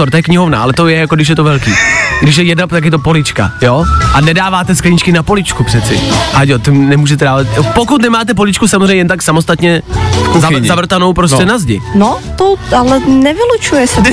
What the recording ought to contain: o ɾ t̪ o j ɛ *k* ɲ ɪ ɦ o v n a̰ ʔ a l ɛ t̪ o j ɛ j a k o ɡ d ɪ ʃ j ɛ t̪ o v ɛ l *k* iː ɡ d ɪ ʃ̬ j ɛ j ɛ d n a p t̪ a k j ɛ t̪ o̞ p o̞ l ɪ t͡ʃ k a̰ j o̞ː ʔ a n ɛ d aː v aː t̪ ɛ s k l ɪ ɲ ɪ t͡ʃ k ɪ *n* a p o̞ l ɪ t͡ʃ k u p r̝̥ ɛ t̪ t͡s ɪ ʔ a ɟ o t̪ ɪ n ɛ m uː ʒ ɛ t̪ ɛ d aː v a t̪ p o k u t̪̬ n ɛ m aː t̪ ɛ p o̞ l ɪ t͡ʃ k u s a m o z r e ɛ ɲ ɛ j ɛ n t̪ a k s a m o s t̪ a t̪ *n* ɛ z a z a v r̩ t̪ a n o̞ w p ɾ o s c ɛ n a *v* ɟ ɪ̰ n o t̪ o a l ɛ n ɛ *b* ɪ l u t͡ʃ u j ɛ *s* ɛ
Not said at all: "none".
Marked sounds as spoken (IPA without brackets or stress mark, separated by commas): k, k, n, ɲ, z, v, s